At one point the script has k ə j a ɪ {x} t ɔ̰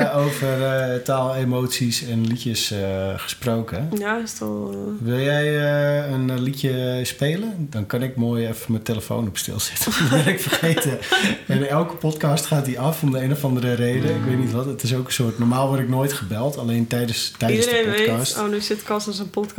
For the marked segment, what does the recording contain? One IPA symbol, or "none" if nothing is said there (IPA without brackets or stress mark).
s